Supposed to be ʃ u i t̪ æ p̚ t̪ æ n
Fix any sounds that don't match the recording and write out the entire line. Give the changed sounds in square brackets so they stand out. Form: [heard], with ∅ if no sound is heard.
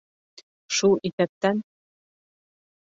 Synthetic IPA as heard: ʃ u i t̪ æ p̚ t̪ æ n